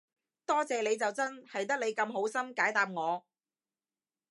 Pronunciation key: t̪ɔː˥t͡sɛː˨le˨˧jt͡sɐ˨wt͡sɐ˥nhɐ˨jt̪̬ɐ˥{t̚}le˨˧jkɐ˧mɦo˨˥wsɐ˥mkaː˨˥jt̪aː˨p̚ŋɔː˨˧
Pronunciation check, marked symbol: incorrect: k̚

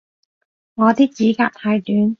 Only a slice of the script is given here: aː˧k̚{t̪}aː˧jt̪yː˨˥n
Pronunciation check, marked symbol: incorrect: t̪ʰ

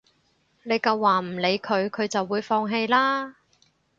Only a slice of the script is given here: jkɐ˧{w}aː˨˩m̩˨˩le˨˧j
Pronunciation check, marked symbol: incorrect: wː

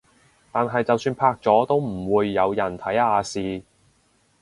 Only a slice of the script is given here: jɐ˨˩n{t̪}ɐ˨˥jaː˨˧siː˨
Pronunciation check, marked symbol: incorrect: t̪ʰ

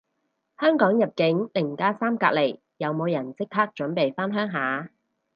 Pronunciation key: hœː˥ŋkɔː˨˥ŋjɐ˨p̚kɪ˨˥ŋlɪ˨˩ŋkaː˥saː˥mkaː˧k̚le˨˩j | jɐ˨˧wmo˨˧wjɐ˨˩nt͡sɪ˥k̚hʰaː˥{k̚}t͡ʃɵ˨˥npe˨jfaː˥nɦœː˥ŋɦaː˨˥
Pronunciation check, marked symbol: correct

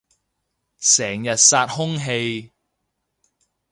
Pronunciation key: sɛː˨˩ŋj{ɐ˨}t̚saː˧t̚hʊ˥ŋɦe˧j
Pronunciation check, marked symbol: correct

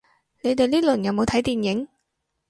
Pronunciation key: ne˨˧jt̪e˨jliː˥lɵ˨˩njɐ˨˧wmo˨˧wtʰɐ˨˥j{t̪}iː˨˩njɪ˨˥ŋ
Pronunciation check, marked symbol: correct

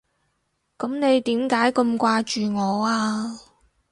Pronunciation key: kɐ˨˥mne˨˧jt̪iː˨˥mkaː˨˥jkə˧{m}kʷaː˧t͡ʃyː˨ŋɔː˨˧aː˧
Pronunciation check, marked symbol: correct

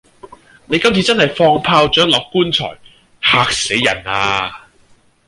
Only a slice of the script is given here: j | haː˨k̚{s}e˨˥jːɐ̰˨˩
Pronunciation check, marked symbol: correct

